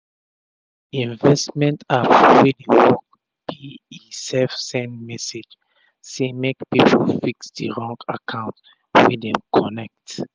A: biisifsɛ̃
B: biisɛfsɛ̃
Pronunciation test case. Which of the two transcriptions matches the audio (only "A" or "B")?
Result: B